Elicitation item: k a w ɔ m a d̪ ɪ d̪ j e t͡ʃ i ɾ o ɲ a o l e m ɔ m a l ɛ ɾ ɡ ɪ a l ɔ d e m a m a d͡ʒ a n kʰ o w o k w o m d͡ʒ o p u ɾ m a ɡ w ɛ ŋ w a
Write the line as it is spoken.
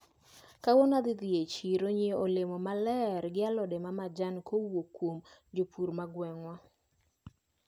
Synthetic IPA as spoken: k a w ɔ n a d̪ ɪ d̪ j e t͡ʃ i ɾ o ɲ e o l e m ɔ m a l ɛ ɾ ɡ ɪ a l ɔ d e m a m a d͡ʒ a n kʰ o w o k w o m d͡ʒ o p u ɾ m a ɡ w ɛ ŋ w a